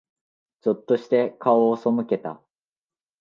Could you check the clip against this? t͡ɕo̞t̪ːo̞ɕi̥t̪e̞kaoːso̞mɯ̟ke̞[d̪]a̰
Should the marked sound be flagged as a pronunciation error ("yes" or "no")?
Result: yes